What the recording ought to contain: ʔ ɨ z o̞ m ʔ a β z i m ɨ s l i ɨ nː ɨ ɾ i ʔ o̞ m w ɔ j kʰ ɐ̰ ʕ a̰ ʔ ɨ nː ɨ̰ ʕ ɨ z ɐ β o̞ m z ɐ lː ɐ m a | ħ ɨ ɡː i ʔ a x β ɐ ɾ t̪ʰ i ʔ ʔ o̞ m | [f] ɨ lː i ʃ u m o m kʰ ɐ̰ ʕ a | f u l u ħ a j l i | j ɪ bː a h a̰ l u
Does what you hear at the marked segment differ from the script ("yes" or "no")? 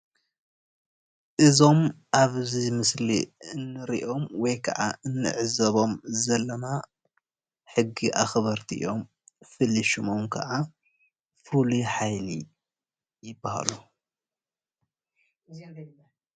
no